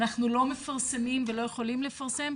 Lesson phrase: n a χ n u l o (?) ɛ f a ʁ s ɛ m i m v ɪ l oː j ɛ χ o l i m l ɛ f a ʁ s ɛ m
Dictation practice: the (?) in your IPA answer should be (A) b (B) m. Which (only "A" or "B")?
B